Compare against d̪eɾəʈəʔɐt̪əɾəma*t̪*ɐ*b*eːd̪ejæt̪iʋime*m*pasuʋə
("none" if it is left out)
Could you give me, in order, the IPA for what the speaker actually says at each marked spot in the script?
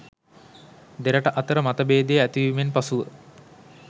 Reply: t̪, b, n

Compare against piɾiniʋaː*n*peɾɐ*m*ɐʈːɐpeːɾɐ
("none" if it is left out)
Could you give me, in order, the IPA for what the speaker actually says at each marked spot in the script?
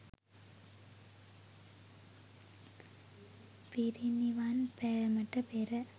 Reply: n, m

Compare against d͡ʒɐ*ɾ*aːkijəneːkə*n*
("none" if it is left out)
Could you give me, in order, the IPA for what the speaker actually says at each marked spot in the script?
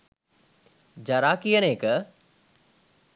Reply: ɾ, none

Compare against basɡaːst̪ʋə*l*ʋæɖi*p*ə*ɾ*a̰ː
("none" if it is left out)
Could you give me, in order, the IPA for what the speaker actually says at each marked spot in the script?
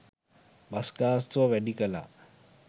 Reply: none, k, l

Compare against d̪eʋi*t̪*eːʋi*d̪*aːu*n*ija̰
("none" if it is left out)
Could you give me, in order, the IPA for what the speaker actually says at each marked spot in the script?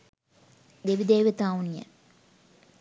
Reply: d̪, t̪, n

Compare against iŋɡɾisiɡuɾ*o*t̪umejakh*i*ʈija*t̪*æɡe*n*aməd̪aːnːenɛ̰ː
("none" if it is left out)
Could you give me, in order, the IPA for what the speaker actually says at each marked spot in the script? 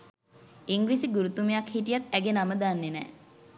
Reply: u, i, t̪, n

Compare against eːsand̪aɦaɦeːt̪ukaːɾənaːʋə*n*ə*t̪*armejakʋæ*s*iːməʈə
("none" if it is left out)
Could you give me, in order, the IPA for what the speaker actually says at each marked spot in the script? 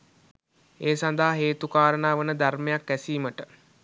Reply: n, d̪, s

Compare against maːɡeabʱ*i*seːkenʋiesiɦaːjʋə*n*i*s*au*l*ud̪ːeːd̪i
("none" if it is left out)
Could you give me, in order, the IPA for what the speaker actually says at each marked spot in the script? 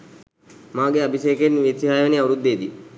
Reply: i, n, none, ɾ

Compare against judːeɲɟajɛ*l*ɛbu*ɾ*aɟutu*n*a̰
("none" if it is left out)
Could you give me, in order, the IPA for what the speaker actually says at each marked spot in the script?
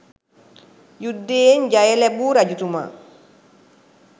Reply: l, ɾ, m

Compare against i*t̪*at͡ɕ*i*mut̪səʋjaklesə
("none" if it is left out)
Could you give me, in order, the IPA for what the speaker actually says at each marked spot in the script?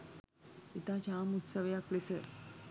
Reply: t̪, a

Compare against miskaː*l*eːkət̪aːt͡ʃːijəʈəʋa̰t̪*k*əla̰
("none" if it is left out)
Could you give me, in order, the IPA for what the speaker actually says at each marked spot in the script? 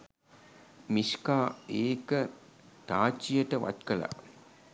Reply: none, k

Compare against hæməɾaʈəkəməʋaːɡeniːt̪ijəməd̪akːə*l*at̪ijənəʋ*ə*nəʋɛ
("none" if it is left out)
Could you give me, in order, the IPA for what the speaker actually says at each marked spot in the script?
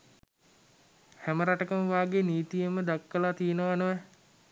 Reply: l, a

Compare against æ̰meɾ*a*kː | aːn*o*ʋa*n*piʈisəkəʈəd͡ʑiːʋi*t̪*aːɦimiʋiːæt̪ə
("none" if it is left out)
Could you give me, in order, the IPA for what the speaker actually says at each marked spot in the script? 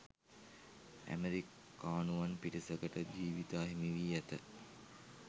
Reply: i, u, n, t̪

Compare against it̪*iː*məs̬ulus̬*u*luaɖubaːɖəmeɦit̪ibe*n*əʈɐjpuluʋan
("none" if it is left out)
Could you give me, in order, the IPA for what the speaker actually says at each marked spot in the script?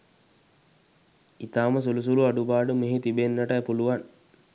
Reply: aː, u, nː

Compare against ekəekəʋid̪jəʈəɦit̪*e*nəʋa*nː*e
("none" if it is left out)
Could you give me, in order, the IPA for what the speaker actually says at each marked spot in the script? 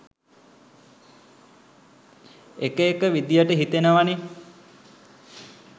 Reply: e, n

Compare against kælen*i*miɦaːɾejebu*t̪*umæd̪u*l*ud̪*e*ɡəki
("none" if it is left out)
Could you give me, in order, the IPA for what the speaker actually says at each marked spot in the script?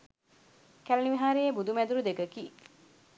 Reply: i, d̪, ɾ, e

